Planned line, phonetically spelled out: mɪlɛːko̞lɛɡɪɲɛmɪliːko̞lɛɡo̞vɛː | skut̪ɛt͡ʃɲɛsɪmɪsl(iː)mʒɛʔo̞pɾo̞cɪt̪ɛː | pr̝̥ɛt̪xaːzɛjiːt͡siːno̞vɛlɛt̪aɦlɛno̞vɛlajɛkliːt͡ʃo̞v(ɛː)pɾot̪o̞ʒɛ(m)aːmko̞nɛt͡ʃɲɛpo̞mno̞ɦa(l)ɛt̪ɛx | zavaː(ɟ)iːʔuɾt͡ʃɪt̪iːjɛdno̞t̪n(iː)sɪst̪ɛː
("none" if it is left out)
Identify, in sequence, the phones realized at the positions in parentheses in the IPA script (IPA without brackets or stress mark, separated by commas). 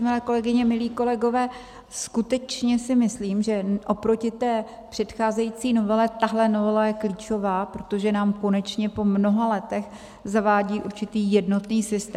iː, aː, n, l, ɟ, iː